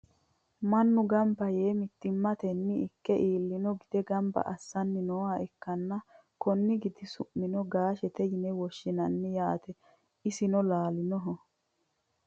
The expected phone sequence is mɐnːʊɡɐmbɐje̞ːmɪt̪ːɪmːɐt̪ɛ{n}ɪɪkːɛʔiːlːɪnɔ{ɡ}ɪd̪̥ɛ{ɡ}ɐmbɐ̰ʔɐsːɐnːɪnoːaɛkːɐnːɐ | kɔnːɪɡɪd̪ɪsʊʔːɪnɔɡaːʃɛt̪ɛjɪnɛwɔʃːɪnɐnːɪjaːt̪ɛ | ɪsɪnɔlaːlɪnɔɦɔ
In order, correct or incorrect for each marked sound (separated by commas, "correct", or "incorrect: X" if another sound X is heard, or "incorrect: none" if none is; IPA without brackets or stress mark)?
incorrect: nː, correct, correct